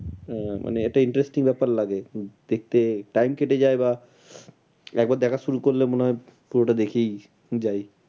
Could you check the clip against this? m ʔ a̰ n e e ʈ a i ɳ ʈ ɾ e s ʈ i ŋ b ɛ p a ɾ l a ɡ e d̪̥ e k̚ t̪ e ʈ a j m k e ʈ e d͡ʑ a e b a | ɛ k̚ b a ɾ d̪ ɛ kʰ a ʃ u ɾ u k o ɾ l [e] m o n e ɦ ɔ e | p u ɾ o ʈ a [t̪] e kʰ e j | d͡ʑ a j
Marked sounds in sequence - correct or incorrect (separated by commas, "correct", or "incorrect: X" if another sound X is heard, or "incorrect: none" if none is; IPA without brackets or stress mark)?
correct, incorrect: d̪